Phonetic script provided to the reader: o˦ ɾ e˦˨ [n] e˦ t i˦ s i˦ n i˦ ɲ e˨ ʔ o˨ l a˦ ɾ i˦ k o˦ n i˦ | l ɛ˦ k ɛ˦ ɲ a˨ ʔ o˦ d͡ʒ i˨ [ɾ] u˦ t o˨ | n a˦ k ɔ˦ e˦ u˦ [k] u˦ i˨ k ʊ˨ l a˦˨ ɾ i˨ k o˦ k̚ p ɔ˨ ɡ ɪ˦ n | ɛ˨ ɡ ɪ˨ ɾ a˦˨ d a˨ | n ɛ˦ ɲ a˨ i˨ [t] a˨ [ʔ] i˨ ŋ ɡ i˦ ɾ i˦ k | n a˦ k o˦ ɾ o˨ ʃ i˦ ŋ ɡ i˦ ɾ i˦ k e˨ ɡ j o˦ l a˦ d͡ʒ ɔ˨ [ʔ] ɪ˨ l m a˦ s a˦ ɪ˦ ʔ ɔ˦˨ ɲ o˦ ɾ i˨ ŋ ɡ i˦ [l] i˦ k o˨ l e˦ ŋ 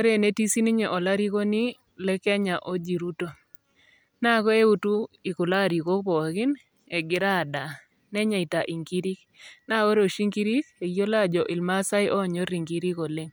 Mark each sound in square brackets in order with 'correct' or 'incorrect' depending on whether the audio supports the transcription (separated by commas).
correct, correct, incorrect, correct, correct, correct, incorrect